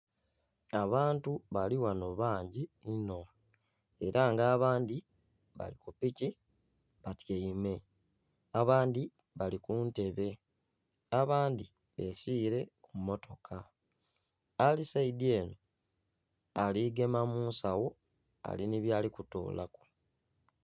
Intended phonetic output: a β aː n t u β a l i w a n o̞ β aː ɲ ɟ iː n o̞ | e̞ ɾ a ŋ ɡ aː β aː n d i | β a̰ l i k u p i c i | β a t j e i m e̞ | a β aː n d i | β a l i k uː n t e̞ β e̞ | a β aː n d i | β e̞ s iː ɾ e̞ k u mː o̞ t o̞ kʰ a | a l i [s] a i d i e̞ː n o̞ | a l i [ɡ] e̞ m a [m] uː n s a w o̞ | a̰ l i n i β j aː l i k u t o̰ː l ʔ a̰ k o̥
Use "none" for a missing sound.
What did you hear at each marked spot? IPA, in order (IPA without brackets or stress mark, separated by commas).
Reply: s, ɡ, m